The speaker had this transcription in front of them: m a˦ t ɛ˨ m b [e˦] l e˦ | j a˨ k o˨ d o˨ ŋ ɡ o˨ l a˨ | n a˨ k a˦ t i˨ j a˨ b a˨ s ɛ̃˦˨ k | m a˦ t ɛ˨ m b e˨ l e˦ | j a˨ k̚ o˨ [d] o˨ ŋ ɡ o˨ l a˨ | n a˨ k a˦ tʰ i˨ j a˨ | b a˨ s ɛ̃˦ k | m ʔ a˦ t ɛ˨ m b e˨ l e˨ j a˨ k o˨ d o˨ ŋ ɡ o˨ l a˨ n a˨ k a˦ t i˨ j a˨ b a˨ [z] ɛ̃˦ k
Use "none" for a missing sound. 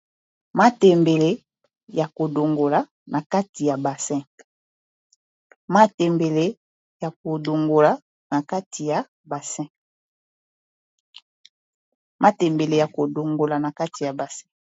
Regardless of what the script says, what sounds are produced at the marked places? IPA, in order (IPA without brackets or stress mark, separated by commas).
e˨, d, s